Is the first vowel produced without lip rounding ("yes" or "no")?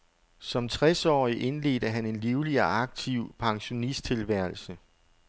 no